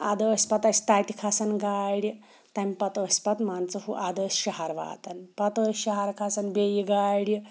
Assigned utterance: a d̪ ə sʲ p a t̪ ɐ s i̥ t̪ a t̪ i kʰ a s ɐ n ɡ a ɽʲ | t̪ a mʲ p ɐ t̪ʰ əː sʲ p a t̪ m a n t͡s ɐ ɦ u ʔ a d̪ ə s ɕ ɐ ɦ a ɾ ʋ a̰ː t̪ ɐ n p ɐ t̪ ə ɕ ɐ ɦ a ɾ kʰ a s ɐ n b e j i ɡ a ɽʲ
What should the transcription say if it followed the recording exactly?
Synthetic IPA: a d̪ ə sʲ p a t̪ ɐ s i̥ t̪ a t̪ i kʰ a s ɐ n ɡ a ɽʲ | t̪ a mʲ p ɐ t̪ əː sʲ p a t̪ m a n t͡s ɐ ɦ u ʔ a d̪ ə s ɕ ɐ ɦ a ɾ ʋ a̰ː t̪ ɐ n p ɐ t̪ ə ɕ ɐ ɦ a ɾ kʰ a s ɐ n b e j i ɡ a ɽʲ